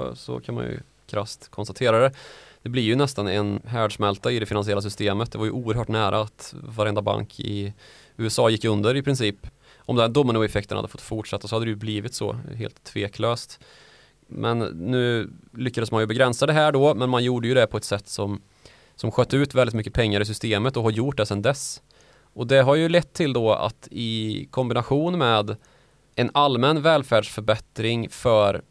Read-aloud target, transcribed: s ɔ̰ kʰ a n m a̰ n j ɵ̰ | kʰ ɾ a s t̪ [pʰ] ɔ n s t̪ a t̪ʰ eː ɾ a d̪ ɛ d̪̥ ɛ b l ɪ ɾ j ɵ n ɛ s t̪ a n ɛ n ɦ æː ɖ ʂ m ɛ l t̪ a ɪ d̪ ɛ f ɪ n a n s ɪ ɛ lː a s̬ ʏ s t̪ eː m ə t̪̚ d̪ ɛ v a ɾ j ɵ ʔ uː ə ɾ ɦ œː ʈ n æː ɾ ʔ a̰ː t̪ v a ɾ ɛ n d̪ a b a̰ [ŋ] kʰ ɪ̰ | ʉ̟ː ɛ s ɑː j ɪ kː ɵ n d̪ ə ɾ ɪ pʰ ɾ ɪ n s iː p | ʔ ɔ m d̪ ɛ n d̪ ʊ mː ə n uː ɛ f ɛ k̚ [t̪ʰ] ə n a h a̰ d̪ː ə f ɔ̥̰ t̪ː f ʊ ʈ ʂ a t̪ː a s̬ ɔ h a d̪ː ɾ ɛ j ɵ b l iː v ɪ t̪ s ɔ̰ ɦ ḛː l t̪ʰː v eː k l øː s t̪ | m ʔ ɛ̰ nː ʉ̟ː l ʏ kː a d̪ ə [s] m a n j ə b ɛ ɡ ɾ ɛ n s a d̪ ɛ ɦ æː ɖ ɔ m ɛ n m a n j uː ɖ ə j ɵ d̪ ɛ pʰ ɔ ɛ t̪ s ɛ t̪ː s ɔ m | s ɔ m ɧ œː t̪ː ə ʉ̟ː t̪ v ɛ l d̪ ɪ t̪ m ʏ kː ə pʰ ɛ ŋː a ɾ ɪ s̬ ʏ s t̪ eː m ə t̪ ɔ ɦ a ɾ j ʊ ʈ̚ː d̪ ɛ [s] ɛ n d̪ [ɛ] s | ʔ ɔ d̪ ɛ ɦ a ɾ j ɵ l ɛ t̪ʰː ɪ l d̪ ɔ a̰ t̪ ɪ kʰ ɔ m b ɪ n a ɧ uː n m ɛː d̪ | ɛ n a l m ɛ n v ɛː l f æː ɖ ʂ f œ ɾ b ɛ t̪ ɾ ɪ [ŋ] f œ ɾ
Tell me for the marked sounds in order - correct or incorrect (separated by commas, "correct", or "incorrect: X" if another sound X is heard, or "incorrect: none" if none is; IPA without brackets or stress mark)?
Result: incorrect: kʰ, correct, incorrect: t̪, correct, correct, correct, correct